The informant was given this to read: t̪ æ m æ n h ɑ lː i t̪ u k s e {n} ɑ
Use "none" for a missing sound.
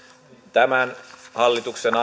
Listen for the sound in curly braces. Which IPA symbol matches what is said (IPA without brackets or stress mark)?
n